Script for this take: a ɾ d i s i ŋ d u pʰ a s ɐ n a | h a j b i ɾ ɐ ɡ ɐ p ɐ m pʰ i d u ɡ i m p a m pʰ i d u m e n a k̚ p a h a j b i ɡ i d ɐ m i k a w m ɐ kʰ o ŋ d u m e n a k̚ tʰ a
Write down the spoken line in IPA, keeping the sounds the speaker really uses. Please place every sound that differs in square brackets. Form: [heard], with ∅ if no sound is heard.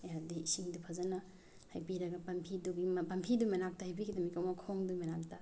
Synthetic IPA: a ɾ d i s i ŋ d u pʰ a [z] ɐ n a | h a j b i ɾ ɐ ɡ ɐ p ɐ m pʰ i d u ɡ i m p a m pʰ i d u m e n a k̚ [t] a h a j b i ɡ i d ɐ m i k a w m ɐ kʰ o ŋ d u m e n a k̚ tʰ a